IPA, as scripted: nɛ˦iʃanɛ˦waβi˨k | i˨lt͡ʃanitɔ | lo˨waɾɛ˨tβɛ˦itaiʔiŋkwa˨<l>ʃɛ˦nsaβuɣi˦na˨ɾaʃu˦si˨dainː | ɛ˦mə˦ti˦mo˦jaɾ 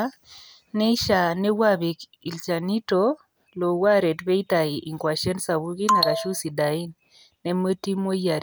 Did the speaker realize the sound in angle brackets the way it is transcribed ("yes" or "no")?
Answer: no